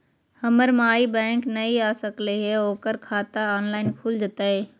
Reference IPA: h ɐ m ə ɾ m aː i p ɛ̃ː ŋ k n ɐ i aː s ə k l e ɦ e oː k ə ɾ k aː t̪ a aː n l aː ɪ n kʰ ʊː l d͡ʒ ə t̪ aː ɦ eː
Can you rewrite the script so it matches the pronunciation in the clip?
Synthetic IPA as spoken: h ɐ m ə ɾ m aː i b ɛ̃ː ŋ k n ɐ i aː s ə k l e ɦ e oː k ə ɾ kʰ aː t̪ a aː n l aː ɪ n kʰ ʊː l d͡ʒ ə t̪ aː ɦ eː